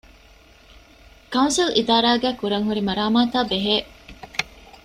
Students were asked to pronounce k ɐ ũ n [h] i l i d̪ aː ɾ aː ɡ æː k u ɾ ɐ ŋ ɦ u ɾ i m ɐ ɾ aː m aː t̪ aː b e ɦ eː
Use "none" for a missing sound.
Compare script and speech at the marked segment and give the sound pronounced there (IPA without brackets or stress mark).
s